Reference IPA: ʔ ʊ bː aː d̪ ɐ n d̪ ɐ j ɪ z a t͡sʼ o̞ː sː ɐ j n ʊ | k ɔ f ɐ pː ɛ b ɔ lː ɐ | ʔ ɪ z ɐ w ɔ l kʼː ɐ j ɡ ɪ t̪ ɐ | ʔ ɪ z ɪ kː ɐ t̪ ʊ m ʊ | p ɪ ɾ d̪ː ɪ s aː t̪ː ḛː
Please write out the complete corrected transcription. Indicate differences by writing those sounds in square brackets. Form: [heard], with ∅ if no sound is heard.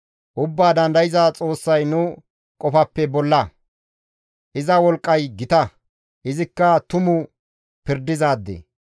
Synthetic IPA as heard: ʔ ʊ bː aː d̪ ɐ n d̪ ɐ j ɪ z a t͡sʼ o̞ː sː ɐ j n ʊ | [kʼ] ɔ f ɐ pː ɛ b ɔ lː ɐ | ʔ ɪ z ɐ w ɔ l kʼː ɐ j ɡ ɪ t̪ ɐ | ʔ ɪ z ɪ kː ɐ t̪ ʊ m ʊ | p ɪ ɾ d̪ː ɪ [z] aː [d̪ː] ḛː